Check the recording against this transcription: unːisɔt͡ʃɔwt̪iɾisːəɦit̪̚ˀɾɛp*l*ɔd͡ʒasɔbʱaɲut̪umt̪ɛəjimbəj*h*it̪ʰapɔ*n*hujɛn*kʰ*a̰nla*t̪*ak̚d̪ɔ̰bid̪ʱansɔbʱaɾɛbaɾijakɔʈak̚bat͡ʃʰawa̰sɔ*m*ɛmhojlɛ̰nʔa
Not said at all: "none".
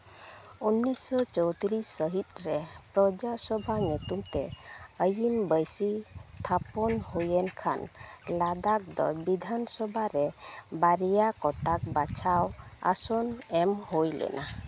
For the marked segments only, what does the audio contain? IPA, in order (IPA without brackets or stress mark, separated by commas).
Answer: ɾ, s, n, kʰ, d̪, n